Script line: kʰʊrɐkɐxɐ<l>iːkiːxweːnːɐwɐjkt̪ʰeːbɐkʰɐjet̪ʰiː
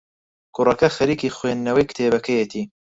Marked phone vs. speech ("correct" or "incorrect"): incorrect